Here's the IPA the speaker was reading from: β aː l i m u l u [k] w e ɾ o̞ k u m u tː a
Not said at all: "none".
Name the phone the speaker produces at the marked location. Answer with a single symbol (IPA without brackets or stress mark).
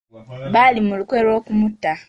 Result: k